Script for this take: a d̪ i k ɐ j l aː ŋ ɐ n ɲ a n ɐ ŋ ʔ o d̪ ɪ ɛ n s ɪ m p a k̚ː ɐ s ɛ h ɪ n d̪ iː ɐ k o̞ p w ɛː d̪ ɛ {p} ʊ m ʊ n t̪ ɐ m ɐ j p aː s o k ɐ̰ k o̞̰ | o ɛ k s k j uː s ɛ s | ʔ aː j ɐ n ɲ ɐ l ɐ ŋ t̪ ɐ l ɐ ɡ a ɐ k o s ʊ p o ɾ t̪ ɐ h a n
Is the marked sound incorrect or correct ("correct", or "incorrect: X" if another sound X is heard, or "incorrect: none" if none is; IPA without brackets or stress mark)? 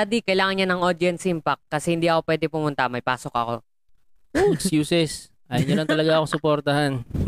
correct